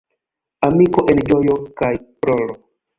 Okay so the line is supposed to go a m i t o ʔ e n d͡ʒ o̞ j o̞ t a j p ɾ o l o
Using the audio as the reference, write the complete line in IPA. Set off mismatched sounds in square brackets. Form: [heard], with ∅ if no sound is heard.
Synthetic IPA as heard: a m i [k] o ʔ e n d͡ʒ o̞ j o̞ [k] a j p ɾ o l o